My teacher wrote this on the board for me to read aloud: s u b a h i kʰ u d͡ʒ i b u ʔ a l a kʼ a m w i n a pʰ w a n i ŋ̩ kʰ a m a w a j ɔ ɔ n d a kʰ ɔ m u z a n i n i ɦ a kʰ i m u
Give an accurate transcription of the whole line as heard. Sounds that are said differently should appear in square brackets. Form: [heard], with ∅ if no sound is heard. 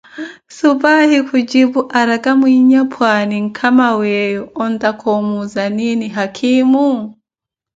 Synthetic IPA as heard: s u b a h i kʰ u d͡ʒ i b u ʔ a [ɾ] a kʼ a m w i [ɲ] a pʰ w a n i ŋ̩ kʰ a m a w [ɛ] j ɔ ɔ n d a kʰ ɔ m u z a n i n i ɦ a kʰ i m u